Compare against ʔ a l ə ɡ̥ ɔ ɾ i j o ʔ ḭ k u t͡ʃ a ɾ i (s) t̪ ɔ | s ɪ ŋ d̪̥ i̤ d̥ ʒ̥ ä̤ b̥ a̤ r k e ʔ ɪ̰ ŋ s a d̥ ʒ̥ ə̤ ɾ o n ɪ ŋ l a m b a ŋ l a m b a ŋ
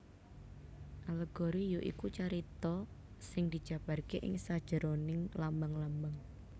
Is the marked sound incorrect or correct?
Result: incorrect